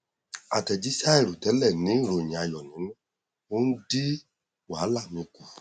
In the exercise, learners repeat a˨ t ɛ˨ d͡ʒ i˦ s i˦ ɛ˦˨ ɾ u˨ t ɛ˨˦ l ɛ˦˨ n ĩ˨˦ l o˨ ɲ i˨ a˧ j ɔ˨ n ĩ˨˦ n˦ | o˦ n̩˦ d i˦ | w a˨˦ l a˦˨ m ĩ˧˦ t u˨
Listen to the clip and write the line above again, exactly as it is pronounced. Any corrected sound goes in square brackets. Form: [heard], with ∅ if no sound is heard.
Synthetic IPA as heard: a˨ t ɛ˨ d͡ʒ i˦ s [a˦] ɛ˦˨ ɾ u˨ t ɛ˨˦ l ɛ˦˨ n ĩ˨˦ [ɾ] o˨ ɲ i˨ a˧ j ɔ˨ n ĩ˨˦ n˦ | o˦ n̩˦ d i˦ | w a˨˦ l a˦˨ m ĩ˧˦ [k] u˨